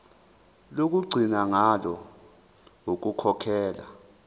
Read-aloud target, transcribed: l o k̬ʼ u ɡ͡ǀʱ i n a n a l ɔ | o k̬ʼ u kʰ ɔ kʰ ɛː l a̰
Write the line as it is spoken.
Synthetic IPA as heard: l o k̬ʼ u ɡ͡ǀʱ i n a ŋ a l ɔ | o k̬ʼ u kʰ ɔ kʰ ɛː l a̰